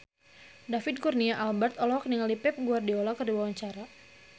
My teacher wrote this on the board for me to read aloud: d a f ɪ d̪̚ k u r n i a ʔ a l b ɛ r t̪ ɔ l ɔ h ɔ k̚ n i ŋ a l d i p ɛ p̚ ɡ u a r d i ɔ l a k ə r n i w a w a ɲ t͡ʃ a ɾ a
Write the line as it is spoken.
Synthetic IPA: d a f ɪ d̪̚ k u r n i a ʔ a l b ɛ r t̪ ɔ l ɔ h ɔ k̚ n i ŋ a l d i p ɛ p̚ ɡ u a r d i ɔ l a k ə r d i w a w a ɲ t͡ʃ a ɾ a